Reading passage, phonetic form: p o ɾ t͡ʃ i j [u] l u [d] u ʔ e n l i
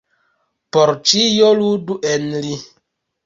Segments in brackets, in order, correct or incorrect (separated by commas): incorrect, correct